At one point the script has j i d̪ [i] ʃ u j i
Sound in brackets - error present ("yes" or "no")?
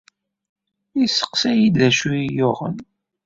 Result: yes